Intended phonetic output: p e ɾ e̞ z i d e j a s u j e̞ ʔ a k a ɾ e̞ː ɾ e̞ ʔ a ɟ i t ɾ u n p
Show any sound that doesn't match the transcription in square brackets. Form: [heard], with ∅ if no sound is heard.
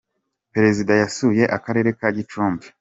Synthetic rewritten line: p e ɾ e̞ z i d [a] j a s u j e̞ ʔ a k a ɾ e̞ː ɾ e̞ [k] a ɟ i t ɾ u [m] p